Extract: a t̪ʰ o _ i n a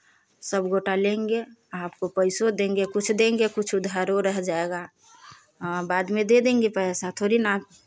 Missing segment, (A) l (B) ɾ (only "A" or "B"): B